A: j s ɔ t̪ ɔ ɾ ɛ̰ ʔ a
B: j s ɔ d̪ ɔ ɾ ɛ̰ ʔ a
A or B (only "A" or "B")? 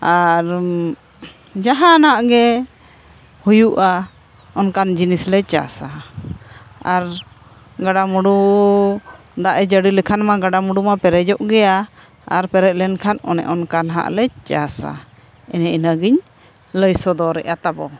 B